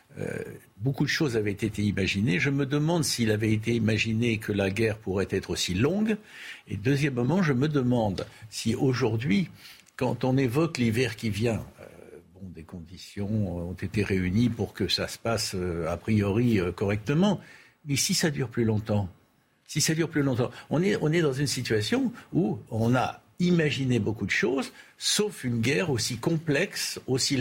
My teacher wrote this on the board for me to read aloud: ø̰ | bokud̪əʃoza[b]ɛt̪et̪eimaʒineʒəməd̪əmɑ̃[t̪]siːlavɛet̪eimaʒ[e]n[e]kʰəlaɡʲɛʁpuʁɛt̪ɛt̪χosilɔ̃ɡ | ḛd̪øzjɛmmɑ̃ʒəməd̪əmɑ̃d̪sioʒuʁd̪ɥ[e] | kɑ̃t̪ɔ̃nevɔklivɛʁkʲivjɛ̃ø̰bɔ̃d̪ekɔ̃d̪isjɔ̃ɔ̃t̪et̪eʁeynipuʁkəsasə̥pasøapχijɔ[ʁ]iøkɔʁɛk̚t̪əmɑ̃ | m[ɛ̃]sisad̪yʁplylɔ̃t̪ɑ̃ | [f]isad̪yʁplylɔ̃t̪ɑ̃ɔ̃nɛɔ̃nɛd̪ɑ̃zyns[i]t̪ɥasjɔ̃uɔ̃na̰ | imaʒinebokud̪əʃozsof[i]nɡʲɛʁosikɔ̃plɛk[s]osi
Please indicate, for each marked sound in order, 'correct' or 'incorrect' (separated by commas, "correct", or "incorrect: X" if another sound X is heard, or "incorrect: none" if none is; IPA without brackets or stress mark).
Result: incorrect: v, incorrect: d̪, incorrect: i, correct, incorrect: i, correct, incorrect: ɛ, incorrect: s, correct, incorrect: y, correct